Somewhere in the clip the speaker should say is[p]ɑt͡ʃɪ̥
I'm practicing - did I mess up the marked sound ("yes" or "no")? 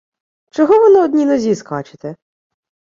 yes